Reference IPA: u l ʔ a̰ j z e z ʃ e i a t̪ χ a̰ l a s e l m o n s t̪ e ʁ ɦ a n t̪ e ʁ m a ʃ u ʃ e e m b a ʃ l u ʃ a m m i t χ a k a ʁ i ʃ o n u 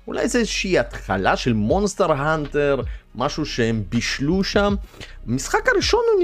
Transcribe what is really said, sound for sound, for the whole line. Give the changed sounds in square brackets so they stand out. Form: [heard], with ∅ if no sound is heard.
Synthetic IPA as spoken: u l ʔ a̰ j z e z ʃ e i a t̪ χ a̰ l a [ʃ] e l m o n s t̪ e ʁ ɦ a n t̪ e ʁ m a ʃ u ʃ e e m b [i] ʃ l u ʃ a m m i [s] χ a k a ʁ i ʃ o n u